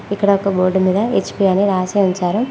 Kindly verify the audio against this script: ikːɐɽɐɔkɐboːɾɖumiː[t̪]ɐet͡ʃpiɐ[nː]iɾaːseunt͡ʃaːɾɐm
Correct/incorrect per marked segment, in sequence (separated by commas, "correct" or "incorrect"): incorrect, incorrect